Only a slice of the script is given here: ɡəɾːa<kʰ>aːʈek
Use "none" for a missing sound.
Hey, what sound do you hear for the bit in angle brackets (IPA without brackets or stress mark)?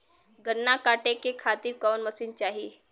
k